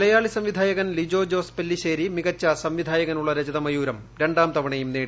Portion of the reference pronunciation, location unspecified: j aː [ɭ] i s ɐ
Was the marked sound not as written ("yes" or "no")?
no